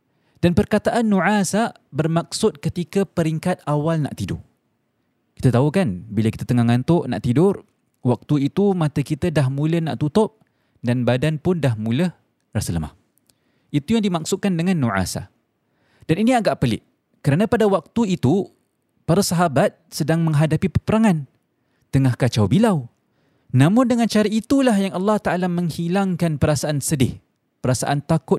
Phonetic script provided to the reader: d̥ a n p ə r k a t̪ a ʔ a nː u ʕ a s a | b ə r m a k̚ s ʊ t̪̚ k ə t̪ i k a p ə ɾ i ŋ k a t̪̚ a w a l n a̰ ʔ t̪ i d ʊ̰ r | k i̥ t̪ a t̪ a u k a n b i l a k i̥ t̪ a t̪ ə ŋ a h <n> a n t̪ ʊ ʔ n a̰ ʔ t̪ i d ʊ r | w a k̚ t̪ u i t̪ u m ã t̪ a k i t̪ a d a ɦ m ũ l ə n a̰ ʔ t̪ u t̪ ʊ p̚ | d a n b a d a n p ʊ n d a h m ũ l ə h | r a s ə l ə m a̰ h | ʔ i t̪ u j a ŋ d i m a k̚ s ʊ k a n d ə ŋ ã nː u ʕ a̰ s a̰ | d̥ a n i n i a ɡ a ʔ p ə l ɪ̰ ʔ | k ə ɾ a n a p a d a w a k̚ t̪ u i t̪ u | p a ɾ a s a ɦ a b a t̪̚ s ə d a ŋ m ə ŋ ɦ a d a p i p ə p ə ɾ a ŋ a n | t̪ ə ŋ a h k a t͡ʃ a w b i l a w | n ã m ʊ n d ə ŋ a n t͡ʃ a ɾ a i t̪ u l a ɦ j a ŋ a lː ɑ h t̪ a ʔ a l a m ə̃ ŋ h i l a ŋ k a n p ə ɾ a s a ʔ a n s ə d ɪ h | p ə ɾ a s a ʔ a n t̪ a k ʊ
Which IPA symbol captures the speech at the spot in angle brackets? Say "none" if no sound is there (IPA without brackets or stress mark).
ŋ